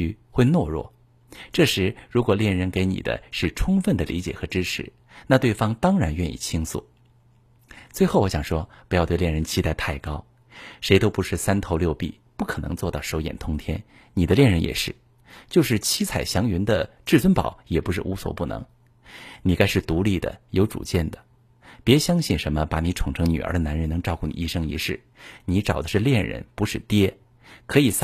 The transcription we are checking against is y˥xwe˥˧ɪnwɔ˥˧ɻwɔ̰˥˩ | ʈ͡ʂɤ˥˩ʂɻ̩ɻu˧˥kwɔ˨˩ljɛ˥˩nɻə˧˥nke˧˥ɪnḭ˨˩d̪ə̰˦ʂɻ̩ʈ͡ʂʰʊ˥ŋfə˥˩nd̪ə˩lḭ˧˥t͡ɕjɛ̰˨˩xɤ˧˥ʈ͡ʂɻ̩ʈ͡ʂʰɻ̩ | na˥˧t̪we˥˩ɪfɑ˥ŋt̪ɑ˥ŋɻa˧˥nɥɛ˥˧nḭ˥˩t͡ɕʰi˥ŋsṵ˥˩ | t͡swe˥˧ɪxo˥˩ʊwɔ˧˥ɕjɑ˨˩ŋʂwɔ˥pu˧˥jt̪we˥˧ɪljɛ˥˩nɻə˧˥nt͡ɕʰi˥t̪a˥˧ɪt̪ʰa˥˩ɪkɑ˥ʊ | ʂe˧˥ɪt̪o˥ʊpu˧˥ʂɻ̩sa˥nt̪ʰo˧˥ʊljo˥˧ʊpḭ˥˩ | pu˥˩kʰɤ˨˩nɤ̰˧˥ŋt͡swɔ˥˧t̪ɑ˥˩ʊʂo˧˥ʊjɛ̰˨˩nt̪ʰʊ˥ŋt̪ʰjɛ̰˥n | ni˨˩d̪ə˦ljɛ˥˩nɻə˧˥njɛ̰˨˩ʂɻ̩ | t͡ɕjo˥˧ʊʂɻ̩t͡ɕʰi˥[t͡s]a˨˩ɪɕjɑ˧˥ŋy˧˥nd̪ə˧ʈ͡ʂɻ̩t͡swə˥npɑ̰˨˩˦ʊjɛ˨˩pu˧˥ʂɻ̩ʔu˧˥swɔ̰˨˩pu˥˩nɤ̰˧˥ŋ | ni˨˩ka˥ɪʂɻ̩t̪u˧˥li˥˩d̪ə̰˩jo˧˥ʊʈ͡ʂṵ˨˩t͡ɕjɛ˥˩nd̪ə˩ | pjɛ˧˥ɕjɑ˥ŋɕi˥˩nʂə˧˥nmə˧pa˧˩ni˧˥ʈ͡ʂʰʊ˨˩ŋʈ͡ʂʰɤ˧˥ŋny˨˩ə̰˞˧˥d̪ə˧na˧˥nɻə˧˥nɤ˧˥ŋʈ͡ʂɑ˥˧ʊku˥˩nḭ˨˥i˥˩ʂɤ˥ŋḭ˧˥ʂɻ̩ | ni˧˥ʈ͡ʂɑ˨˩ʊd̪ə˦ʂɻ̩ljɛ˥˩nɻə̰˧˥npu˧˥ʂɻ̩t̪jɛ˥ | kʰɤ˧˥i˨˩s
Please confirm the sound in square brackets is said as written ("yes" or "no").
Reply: no